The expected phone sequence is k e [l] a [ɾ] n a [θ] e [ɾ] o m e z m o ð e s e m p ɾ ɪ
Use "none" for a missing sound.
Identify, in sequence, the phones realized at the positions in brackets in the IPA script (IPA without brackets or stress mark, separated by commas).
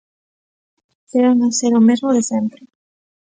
ɾ, none, s, ɾ